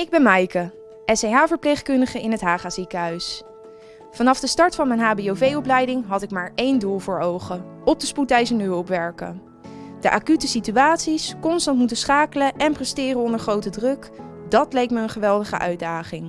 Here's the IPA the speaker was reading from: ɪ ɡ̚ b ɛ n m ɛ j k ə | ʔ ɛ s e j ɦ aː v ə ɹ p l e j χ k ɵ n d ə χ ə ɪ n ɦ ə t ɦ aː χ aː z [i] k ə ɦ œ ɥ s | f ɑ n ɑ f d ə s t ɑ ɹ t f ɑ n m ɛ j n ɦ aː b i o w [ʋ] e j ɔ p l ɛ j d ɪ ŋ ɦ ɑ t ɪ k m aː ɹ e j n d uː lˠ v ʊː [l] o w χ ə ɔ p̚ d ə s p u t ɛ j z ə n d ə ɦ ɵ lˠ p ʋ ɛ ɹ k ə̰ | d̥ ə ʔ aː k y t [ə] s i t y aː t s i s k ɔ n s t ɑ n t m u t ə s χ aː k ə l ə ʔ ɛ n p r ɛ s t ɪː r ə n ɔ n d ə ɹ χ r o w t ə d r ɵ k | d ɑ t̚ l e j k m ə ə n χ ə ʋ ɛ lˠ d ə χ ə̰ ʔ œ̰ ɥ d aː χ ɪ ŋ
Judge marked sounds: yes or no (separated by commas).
yes, no, no, yes